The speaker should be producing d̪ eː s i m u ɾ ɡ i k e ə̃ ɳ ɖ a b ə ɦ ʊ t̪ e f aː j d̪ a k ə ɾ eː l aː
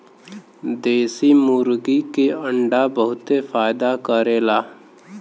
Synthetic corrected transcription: d̪ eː s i m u ɾ ɡ i k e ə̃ ɳ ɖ a b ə ɦ ʊ t̪ e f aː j d̪ a k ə ɾ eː l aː